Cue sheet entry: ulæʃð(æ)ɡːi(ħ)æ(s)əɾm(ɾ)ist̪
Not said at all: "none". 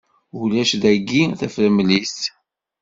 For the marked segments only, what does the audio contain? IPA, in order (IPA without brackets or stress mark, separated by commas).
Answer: æ, θ, f, l